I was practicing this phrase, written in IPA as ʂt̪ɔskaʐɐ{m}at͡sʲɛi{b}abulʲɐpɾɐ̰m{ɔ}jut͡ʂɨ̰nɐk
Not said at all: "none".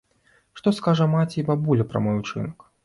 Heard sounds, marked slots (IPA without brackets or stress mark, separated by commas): m, b, ɔ